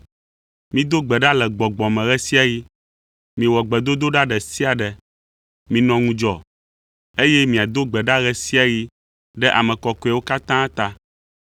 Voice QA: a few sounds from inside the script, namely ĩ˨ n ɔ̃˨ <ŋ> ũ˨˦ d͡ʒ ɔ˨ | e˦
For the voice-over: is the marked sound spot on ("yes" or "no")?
yes